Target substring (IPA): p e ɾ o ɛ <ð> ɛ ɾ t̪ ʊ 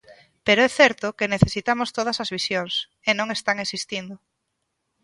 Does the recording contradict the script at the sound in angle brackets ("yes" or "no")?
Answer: yes